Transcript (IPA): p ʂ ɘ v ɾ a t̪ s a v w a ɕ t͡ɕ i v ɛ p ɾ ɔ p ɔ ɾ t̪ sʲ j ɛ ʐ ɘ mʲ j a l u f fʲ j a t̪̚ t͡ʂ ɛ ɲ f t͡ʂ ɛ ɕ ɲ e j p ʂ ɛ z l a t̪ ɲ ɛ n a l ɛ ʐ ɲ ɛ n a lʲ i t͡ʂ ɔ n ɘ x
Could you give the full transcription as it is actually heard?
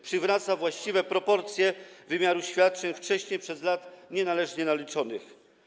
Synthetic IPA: p ʂ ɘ v ɾ a t̪ s a v w a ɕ t͡ɕ i v ɛ p ɾ ɔ p ɔ ɾ t̪ sʲ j ɛ v ɘ mʲ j a ɾ u ɕ fʲ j a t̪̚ t͡ʂ ɛ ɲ f t͡ʂ ɛ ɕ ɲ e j p ʂ ɛ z l a t̪ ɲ ɛ n a l ɛ ʐ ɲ ɛ n a lʲ i t͡ʂ ɔ n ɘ x